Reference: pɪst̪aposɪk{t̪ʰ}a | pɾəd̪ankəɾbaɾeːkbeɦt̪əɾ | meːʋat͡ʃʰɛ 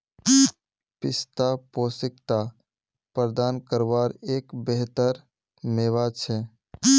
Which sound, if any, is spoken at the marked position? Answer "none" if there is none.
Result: t̪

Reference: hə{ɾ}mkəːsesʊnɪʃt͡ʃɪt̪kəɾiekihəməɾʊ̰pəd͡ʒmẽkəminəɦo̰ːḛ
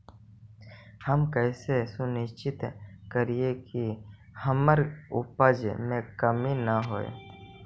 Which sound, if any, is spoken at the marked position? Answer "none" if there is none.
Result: none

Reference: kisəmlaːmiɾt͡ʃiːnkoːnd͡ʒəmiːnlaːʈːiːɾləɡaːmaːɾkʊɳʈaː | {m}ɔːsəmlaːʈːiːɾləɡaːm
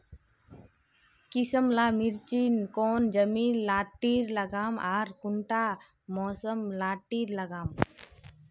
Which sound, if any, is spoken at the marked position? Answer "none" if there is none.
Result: m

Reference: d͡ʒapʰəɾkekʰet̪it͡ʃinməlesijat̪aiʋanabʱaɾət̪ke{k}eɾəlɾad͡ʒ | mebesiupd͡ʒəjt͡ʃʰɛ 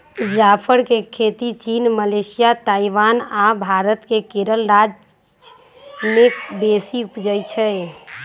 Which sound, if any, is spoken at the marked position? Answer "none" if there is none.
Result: k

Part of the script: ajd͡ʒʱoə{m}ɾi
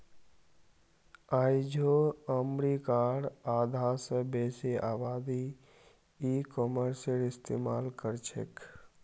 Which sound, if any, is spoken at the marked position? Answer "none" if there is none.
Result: m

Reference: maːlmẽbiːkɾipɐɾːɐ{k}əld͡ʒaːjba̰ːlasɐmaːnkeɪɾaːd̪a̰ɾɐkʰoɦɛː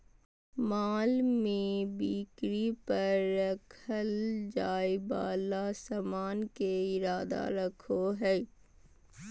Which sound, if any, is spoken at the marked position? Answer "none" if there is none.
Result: kʰ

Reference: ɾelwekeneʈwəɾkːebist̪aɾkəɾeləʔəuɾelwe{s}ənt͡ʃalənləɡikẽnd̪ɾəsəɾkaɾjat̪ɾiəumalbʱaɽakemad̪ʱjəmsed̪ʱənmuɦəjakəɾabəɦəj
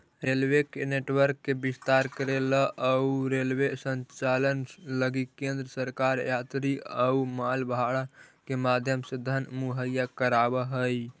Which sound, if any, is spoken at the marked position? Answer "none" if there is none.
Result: s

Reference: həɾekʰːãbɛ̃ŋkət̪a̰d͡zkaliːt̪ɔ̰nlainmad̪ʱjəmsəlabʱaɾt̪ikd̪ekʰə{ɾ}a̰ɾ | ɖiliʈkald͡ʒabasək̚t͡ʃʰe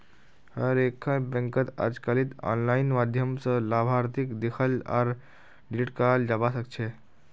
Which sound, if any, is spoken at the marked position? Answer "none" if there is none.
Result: l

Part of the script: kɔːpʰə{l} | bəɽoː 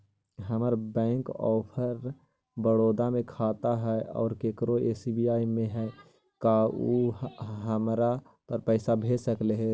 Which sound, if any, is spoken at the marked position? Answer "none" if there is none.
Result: ɾ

